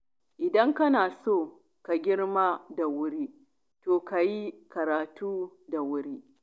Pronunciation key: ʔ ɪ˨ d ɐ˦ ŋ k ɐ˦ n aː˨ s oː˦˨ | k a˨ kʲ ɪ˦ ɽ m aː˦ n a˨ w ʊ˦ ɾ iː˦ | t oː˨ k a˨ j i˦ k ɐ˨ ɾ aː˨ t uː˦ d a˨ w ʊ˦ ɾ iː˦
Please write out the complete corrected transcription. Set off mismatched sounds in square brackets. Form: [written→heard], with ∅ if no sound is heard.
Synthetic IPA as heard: ʔ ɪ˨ d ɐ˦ ŋ k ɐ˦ n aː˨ s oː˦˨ | k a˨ [kʲ→ɡʲ] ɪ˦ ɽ m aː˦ [n→d] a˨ w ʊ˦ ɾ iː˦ | t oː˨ k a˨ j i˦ k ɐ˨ ɾ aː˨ t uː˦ d a˨ w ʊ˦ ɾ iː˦

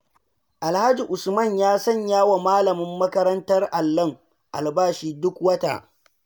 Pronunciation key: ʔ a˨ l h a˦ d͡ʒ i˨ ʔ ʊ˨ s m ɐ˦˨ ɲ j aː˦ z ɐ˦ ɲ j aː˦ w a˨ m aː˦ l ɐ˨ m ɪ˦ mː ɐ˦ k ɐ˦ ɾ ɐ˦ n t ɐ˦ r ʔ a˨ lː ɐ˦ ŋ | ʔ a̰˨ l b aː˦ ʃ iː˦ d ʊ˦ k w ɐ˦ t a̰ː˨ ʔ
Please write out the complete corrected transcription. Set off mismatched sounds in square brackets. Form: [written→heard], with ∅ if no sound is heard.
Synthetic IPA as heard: ʔ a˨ l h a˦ d͡ʒ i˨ ʔ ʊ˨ s m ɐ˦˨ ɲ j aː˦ [z→s] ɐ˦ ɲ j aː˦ w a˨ m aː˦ l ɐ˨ m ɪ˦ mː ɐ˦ k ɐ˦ ɾ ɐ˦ n t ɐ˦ r ʔ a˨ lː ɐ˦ ŋ | ʔ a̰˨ l b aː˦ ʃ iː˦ d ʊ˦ k w ɐ˦ t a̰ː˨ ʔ

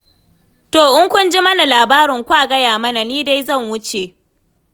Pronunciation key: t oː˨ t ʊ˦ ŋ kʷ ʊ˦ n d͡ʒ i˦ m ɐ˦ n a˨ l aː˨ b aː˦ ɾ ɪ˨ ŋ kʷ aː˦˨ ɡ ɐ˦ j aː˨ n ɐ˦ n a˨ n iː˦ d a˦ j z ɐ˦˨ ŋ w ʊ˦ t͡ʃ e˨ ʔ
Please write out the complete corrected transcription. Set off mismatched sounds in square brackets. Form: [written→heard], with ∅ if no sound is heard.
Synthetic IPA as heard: t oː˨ [t→ʔ] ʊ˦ ŋ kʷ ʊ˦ n d͡ʒ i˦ m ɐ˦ n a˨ l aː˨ b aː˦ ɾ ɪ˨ ŋ kʷ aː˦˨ ɡ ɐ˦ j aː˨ [n→m] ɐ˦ n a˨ n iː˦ d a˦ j z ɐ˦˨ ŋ w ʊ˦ t͡ʃ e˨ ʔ

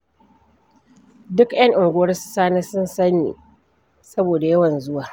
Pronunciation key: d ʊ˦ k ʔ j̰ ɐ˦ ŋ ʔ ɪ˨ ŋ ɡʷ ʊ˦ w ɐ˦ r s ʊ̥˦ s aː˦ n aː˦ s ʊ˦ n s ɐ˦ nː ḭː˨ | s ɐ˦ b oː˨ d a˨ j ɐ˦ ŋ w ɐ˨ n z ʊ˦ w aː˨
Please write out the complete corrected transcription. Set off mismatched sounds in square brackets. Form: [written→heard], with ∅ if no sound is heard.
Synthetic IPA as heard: d ʊ˦ k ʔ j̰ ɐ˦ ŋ ʔ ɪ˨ ŋ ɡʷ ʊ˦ w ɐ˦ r s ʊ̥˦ s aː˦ n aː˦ s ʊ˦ n s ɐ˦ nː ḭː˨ | s ɐ˦ b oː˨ d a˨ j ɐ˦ [ŋ→∅] w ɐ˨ n z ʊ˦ w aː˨

